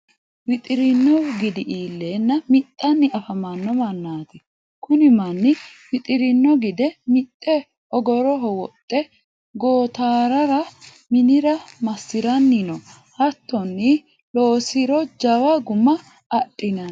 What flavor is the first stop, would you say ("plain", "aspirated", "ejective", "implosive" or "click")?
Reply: ejective